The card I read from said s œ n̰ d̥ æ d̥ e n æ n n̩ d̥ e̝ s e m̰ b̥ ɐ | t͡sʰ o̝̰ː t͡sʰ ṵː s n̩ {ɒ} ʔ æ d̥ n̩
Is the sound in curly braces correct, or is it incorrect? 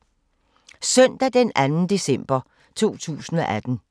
correct